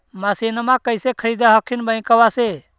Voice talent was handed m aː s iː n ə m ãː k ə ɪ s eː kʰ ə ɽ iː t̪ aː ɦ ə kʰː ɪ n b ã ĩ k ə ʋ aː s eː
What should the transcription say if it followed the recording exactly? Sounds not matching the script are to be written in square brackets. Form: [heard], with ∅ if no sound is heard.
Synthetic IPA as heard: m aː s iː n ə m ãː k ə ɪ s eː kʰ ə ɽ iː [d̪] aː ɦ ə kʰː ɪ n b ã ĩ k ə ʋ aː s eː